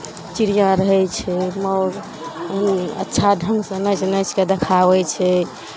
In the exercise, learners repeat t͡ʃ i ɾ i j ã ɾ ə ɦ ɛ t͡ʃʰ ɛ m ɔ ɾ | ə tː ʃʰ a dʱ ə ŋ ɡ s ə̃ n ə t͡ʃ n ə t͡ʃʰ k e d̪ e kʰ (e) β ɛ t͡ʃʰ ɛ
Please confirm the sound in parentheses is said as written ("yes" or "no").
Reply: no